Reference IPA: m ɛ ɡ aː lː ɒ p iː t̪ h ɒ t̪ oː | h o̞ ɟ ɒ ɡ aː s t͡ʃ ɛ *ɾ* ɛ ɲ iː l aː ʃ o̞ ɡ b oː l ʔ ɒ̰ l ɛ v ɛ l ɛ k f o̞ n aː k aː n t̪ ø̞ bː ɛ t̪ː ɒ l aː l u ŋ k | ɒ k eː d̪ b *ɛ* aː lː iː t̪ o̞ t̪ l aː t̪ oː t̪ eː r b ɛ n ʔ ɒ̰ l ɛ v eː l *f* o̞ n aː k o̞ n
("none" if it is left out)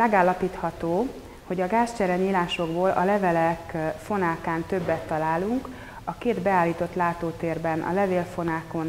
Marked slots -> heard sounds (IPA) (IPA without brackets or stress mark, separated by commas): ɾ, ɛ, f